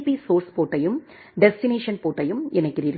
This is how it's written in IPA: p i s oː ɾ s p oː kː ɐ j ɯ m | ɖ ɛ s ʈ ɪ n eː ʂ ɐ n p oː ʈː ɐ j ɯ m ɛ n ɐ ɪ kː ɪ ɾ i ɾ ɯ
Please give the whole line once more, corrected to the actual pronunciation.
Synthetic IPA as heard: p i s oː ɾ s p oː ʈː ɐ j ɯ m | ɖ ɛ s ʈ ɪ n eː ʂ ɐ n p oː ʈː ɐ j ɯ m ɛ n ɐ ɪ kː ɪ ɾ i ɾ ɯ